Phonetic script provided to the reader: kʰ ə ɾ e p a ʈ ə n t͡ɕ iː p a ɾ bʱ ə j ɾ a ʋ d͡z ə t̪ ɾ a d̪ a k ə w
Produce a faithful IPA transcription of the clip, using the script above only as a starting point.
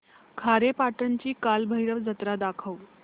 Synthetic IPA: kʰ a ɾ e p a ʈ ə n t͡ɕ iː k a l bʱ ə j ɾ ə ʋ d͡z ə t̪ ɾ a d̪ a kʰ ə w